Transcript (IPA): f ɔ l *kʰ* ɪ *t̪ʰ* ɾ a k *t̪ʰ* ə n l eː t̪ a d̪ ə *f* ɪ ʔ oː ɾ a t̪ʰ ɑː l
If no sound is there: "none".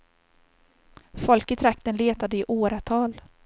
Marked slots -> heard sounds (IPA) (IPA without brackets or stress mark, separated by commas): k, t̪ʰ, t̪, none